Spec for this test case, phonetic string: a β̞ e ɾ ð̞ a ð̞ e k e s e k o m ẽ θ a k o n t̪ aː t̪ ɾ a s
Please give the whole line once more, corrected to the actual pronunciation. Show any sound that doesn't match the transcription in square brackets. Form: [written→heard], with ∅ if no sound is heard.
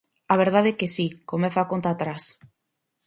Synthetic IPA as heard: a β̞ e ɾ ð̞ a ð̞ e k e s [e→i] k o m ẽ θ a k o n t̪ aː t̪ ɾ a s